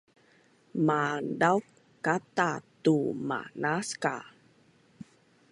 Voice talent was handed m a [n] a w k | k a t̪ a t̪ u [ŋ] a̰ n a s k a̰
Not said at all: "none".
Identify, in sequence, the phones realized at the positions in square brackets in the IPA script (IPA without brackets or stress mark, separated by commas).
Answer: d, m